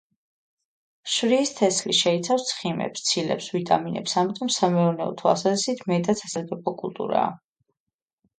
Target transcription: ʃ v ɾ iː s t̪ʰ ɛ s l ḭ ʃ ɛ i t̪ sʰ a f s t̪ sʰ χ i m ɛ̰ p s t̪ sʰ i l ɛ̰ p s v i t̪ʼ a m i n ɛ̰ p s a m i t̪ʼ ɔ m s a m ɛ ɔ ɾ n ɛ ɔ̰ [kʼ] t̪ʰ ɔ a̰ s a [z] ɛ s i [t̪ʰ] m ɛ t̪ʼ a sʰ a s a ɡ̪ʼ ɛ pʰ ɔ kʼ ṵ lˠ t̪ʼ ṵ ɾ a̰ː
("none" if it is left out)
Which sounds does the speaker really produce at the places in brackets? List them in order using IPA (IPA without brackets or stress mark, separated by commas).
none, z, t̪ʰ